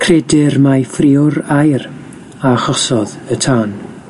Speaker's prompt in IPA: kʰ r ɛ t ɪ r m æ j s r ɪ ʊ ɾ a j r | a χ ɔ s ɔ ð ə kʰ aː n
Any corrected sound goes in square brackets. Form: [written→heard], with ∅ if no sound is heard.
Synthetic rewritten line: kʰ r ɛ [t→d] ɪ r m [æ→a] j [s→f] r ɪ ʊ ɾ a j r | a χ ɔ s ɔ ð ə [kʰ→tʰ] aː n